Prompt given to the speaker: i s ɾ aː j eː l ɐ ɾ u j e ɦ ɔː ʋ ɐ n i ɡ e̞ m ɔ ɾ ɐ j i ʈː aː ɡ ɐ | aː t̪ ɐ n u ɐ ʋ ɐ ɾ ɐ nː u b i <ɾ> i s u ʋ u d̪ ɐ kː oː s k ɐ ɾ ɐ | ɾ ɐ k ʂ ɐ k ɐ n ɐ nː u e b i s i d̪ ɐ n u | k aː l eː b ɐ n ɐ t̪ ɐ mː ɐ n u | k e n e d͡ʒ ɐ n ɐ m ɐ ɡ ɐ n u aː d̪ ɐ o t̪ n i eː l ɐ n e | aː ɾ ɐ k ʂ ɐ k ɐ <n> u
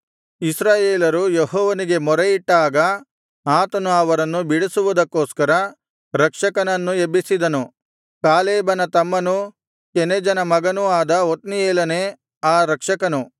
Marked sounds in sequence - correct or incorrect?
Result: incorrect: ɽ, correct

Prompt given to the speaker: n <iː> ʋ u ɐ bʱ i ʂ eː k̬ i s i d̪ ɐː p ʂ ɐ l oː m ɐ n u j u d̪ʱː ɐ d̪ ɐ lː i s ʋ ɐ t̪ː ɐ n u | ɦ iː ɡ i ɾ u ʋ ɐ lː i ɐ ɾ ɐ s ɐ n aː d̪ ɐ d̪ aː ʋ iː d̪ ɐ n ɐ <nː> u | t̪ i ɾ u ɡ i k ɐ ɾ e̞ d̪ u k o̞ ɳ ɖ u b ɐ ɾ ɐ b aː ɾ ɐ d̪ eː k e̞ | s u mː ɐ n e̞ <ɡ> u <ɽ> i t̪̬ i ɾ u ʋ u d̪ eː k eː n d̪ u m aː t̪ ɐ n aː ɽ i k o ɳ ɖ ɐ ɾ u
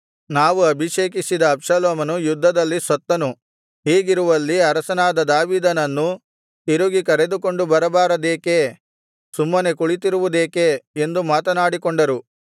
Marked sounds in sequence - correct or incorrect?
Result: incorrect: aː, correct, incorrect: k, incorrect: ɭ

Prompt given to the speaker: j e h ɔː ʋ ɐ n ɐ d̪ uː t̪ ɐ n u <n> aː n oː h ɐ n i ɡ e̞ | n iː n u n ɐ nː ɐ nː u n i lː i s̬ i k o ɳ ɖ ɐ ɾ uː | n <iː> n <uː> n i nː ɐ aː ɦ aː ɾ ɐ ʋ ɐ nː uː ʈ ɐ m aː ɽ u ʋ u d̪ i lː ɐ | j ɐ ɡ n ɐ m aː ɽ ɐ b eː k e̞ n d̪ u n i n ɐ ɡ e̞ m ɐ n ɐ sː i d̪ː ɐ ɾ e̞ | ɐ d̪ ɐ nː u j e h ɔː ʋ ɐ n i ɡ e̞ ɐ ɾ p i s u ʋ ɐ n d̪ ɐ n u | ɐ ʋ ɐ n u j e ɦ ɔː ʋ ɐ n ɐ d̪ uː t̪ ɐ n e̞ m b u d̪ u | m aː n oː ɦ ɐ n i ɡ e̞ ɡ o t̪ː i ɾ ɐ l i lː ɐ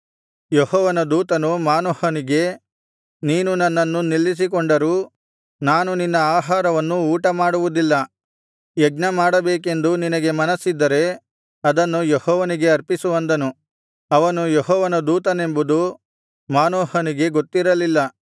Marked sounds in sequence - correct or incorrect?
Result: incorrect: m, incorrect: aː, incorrect: u

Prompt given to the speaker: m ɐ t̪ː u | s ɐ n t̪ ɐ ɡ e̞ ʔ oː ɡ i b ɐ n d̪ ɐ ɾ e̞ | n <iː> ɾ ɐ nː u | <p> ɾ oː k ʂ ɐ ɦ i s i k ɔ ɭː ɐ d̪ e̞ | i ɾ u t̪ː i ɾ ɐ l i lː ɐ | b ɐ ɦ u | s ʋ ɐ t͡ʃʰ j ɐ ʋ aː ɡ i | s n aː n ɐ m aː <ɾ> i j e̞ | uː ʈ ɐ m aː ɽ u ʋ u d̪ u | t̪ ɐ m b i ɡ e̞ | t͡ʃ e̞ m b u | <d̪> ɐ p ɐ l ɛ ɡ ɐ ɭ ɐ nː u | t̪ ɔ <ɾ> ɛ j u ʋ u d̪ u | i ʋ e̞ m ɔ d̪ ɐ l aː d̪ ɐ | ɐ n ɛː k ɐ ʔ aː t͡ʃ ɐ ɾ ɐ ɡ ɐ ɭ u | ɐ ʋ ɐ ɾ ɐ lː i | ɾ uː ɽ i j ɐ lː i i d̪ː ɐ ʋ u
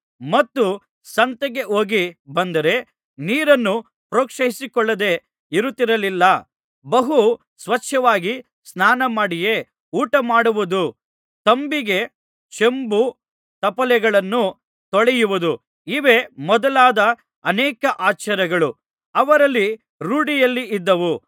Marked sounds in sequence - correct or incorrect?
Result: correct, correct, incorrect: ɽ, incorrect: t̪, incorrect: ɭ

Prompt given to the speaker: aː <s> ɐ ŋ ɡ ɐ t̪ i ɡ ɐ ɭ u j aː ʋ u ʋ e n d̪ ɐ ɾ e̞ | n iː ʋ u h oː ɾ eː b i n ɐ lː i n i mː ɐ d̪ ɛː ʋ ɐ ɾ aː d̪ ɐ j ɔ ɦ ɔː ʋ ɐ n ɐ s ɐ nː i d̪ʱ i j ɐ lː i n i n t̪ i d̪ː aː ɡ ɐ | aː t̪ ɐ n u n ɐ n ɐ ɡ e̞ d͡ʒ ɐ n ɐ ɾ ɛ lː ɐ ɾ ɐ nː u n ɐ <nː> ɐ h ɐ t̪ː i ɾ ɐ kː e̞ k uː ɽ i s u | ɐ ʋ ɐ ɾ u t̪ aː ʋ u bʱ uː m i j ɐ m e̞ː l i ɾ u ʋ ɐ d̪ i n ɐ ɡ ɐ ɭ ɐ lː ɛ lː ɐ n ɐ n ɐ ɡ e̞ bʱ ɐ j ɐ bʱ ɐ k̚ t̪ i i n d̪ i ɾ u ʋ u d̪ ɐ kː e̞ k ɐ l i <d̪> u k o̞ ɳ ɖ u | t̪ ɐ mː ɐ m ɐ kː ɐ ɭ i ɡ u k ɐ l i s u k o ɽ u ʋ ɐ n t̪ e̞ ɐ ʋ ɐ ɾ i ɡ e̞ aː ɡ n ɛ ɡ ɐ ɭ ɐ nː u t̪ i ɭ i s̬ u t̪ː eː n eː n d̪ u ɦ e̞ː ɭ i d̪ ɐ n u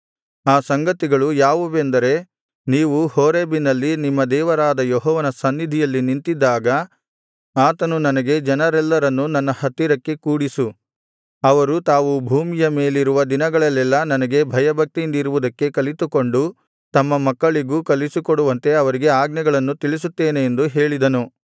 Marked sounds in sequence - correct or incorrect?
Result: correct, correct, incorrect: t̪

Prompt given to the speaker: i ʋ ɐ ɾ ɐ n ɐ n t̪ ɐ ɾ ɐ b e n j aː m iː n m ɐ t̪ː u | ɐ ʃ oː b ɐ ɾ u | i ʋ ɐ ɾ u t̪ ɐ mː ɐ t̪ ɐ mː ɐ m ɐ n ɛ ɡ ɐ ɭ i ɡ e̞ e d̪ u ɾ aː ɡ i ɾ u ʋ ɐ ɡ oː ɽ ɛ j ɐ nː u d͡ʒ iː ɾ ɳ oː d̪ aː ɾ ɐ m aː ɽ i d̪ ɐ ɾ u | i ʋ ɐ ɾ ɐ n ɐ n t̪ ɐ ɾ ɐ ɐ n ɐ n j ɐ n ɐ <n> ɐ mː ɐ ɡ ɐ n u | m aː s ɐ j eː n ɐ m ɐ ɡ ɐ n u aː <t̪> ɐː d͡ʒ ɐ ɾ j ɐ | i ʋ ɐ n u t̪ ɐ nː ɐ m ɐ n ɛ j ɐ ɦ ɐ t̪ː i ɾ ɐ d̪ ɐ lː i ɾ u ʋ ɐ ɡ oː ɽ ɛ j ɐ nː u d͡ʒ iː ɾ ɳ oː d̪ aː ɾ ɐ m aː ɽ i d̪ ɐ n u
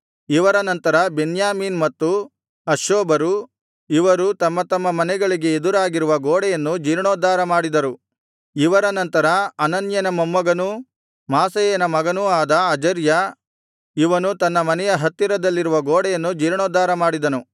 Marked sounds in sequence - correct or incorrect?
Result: incorrect: m, incorrect: d̪

